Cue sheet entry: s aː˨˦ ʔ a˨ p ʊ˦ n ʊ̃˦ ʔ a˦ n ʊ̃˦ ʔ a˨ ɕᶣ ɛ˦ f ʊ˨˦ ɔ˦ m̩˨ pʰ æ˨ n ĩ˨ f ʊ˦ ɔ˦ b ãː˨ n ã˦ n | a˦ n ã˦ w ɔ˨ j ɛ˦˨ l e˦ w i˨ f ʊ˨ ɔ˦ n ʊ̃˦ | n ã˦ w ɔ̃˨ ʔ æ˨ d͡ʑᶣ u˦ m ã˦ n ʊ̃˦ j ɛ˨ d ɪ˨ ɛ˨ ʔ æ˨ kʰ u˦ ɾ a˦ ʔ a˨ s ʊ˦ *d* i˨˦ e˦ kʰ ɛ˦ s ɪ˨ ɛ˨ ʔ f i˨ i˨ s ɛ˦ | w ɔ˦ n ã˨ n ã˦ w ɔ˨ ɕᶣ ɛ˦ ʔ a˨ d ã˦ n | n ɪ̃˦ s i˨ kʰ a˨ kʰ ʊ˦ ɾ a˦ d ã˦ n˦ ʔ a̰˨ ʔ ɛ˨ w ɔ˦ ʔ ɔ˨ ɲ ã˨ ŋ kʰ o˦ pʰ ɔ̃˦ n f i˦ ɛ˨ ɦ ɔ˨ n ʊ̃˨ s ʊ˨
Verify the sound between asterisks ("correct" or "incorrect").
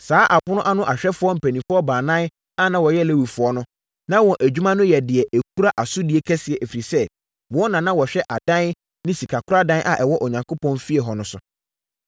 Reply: correct